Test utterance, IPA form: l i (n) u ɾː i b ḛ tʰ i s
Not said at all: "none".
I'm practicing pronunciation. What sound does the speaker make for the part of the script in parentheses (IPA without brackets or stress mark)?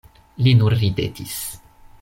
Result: n